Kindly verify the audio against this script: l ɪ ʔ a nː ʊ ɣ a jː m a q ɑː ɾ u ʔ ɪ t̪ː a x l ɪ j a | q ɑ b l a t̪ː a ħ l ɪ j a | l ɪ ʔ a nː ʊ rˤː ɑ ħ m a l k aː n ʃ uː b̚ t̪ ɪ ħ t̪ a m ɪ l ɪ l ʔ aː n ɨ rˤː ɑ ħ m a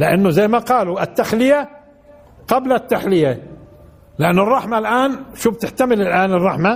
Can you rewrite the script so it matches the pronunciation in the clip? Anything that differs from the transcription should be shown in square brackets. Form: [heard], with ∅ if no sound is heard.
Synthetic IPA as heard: l ɪ ʔ a nː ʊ [z] a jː m a q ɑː [l] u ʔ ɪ t̪ː a x l ɪ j a | q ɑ b l a t̪ː a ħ l ɪ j a | l ɪ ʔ a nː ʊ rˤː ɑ ħ m a l [ʔ] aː n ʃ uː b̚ t̪ ɪ ħ t̪ a m ɪ l ɪ l ʔ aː n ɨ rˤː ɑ ħ m a